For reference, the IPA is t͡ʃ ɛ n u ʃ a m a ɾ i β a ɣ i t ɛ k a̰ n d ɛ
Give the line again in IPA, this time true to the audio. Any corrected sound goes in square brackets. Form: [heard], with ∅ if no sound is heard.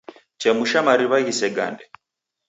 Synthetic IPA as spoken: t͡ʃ ɛ [m] u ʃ a m a ɾ i β a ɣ i [s] ɛ [ɡ] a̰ n d ɛ